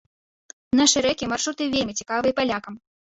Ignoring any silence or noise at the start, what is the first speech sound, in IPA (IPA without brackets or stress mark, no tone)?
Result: n